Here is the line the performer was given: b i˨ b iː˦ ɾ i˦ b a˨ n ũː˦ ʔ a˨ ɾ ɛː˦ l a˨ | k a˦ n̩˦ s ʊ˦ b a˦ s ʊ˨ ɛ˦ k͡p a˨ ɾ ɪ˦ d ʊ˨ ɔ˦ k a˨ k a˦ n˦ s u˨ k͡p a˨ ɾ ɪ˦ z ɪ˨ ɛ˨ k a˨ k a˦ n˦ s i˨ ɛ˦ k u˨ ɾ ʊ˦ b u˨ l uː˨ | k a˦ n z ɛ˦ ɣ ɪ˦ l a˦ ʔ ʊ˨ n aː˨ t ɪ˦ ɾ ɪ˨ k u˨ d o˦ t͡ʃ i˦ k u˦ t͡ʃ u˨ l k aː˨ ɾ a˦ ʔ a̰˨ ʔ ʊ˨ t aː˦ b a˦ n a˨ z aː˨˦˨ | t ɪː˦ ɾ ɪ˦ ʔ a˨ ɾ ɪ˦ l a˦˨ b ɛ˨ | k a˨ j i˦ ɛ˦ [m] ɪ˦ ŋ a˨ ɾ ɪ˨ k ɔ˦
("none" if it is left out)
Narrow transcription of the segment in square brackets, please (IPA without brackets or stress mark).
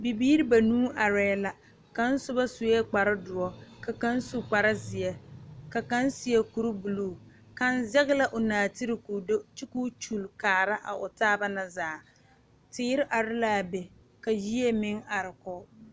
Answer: m